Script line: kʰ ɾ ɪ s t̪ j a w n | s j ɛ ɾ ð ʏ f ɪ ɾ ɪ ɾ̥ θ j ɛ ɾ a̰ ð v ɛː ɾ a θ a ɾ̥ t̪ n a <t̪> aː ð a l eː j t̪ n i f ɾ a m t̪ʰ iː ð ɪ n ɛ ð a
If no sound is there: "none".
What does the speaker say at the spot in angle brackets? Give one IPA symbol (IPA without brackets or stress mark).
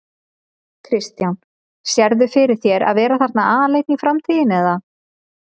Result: none